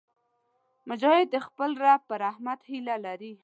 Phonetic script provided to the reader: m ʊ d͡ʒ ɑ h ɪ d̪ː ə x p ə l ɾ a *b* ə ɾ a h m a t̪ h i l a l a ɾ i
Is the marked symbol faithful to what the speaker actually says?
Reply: no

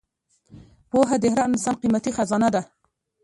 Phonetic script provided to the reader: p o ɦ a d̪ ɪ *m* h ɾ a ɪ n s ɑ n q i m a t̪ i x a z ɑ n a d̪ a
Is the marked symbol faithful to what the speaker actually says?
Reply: no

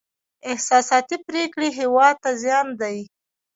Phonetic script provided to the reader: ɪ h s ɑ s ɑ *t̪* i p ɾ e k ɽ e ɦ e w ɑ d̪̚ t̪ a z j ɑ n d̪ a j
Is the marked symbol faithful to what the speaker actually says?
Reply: yes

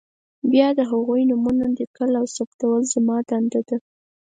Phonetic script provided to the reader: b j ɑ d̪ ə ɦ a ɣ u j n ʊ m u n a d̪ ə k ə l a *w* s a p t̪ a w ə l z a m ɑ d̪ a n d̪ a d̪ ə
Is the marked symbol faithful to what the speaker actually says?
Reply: yes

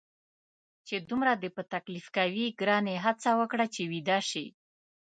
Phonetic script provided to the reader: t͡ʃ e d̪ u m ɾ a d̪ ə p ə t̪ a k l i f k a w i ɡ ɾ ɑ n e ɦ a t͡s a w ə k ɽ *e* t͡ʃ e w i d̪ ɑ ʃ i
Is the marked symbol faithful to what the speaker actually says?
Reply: no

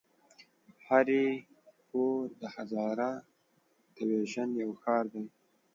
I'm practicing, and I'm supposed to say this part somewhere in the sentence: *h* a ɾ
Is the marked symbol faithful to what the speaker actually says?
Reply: yes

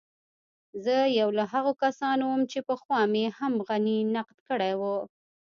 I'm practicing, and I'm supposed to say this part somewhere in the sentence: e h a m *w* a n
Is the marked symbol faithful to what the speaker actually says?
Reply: no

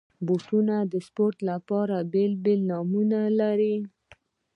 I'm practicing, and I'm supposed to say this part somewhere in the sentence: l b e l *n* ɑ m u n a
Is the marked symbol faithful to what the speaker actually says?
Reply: yes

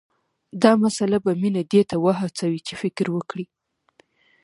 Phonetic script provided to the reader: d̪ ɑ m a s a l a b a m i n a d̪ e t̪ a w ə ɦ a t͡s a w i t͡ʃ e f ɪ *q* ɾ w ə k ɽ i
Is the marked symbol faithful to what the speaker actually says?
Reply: no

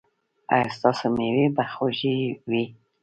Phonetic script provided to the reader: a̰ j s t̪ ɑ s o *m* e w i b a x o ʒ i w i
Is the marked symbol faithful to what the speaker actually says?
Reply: yes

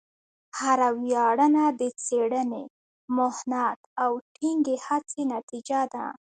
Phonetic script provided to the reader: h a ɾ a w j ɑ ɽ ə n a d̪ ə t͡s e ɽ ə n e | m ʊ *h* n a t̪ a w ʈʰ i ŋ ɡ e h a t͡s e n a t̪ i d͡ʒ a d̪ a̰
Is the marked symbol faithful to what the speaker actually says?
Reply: yes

